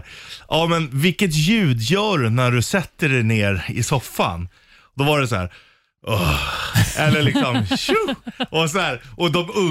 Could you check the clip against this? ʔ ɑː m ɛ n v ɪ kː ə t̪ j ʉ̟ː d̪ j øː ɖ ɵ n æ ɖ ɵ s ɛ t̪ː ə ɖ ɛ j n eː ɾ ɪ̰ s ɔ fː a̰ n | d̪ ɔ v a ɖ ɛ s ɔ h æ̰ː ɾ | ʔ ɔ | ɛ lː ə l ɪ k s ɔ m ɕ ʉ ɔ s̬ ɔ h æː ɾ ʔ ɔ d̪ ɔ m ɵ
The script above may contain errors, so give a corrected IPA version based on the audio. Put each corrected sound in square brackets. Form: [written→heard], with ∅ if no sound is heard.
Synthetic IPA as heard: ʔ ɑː m ɛ n v ɪ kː ə t̪ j ʉ̟ː d̪ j [øː→œː] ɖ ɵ n æ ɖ ɵ s ɛ t̪ː ə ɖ ɛ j n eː ɾ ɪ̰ s ɔ fː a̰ n | d̪ ɔ v a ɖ ɛ s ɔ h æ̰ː ɾ | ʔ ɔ | ɛ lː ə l ɪ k s ɔ m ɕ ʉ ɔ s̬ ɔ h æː ɾ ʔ ɔ d̪ ɔ m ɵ